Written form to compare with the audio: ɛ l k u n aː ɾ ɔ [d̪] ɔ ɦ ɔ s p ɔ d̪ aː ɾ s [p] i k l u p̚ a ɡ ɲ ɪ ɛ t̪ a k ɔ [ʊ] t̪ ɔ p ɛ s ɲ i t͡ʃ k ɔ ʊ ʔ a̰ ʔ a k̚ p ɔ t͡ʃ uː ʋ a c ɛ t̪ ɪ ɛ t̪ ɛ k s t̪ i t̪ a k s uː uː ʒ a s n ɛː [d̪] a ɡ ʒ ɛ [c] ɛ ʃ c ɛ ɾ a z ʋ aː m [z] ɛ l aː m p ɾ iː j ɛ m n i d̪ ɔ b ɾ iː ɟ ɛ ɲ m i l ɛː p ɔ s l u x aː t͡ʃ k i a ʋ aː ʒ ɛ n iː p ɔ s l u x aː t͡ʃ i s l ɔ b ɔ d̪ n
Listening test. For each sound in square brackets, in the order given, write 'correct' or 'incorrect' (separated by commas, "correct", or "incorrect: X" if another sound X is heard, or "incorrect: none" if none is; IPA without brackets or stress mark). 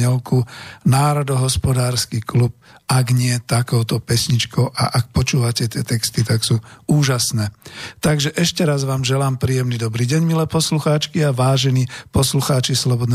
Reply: correct, incorrect: k, correct, incorrect: t̪, incorrect: ʔ, incorrect: ʒ